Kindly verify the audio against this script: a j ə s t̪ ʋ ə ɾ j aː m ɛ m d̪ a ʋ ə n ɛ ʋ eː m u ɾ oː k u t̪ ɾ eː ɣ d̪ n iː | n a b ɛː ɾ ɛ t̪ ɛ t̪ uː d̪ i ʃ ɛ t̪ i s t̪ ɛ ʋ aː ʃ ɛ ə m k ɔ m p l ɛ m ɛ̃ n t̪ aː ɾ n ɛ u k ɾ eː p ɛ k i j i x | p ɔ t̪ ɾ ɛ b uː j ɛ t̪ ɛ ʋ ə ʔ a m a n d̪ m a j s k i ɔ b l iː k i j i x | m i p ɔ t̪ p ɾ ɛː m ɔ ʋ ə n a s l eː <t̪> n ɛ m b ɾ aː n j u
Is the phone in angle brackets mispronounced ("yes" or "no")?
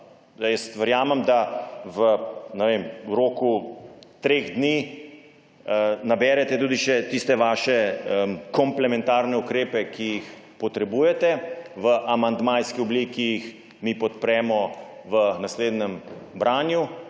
yes